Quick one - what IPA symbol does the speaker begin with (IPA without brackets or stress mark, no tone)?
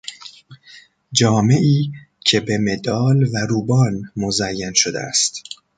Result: d͡ʒ